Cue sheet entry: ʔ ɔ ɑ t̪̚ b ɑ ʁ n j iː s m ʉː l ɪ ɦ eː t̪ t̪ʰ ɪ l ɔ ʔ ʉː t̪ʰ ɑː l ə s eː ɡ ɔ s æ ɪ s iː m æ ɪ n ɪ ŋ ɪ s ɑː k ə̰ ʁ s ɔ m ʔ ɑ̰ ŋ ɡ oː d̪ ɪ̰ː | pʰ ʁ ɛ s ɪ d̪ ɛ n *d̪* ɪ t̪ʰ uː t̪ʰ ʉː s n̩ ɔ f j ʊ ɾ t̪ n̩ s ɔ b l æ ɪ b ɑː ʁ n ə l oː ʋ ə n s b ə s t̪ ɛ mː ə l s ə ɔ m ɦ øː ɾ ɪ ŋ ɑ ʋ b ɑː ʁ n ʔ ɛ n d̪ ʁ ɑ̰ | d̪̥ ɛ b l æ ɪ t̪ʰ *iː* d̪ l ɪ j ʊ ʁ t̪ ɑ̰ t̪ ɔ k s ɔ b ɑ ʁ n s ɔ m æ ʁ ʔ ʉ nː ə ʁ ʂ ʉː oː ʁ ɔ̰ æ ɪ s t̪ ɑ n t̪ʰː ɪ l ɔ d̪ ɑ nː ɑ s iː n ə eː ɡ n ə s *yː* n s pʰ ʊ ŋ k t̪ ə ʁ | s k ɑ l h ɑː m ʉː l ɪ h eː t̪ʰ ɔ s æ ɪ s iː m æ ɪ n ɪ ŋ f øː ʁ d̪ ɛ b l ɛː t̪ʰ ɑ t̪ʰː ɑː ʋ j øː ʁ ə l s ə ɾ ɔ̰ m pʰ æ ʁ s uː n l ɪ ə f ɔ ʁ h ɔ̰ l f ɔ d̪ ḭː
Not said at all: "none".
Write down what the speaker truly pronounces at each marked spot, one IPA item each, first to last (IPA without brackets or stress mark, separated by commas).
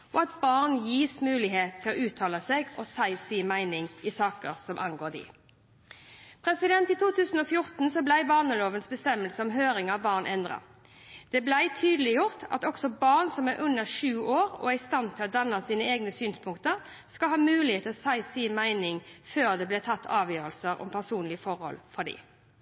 t̪, yː, yː